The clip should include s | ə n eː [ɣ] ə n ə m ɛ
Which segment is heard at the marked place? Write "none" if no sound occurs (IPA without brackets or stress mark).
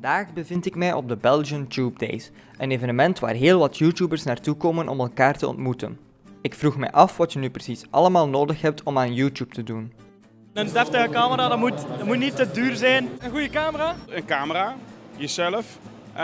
v